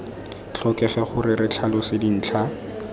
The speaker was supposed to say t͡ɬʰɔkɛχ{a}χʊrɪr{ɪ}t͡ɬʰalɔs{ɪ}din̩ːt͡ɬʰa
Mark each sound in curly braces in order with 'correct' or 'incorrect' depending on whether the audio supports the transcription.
incorrect: ɛ, correct, correct

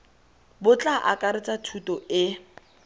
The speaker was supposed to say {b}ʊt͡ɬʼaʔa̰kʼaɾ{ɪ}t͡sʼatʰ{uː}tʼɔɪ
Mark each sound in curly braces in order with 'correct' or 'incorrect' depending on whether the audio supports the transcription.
correct, correct, incorrect: u

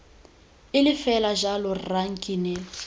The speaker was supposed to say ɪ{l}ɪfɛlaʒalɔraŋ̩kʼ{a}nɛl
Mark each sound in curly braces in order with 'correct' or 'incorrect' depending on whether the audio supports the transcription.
correct, incorrect: i

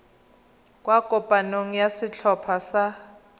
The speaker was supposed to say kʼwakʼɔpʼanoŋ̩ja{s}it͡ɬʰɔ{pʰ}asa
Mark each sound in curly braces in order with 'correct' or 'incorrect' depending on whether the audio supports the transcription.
correct, correct

